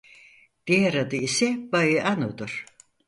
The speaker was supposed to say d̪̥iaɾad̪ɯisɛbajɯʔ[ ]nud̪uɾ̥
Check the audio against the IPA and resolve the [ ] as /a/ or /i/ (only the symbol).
a